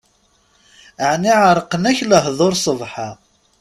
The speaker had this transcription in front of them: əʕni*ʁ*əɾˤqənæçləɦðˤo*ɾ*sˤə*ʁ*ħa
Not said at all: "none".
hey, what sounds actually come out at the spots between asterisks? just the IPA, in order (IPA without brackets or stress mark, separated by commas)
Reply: ʕ, ɾ, v